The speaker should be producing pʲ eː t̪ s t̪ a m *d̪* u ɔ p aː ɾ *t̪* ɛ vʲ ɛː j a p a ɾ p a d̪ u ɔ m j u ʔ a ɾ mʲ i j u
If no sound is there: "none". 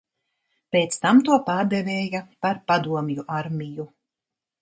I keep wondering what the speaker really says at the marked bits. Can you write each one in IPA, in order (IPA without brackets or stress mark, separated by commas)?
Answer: t̪, d̪